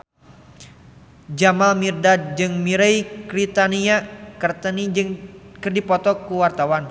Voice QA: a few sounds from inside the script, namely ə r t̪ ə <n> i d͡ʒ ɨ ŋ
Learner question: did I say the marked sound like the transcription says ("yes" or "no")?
yes